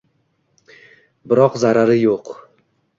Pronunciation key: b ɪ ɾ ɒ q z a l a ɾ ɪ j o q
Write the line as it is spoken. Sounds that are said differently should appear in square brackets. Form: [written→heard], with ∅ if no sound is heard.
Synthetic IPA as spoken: b ɪ ɾ ɒ q z a [l→ɾ] a ɾ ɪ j o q